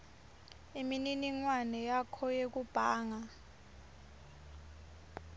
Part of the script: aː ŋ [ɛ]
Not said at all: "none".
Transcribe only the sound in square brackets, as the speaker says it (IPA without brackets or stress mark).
a